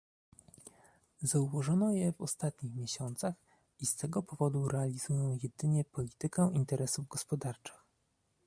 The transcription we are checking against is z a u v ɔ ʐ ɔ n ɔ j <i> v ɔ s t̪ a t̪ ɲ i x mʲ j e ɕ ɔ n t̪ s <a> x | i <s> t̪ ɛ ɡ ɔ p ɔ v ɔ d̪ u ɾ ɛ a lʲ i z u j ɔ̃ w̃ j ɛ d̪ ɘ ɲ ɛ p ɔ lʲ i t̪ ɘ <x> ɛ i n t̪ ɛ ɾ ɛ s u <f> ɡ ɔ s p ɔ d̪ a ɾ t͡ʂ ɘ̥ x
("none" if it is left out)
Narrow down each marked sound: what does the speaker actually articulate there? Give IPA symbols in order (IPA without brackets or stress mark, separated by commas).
ɛ, a, s, k, v